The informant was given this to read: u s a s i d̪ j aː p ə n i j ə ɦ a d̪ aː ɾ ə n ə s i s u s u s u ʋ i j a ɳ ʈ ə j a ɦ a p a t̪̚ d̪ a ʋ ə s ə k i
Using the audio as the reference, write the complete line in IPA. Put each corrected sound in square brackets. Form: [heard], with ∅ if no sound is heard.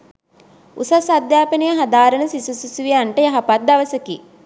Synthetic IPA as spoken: u s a s [a] d̪ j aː p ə n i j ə ɦ a d̪ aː ɾ ə n ə s i s u s u s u ʋ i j a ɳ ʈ ə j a ɦ a p a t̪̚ d̪ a ʋ ə s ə k i